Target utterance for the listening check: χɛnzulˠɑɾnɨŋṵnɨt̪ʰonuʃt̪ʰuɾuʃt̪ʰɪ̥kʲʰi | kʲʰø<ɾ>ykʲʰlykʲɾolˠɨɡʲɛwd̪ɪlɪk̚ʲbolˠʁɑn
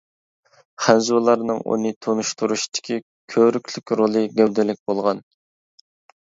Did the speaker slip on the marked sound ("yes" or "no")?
no